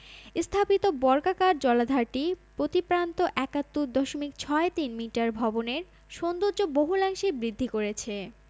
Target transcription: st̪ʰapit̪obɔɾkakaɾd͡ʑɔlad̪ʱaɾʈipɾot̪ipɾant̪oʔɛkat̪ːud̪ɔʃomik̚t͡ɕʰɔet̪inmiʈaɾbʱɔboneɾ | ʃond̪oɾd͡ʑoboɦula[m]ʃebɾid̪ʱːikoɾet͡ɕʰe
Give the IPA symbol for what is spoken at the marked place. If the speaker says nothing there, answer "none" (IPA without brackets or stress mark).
ŋ